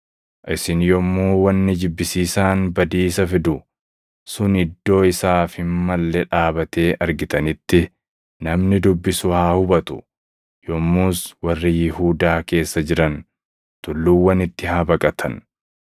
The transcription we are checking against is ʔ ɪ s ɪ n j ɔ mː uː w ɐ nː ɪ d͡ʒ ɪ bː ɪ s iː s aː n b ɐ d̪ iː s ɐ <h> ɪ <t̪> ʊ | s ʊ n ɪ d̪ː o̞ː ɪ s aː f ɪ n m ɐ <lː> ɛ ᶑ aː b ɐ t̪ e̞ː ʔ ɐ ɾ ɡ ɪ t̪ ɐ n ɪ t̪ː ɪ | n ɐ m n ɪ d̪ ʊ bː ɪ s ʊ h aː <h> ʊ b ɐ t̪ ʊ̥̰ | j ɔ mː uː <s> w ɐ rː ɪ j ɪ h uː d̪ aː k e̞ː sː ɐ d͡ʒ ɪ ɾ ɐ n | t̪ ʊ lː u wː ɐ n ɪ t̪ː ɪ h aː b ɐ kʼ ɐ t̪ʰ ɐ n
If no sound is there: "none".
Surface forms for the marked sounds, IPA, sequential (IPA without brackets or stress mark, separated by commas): f, d̪, lː, h, s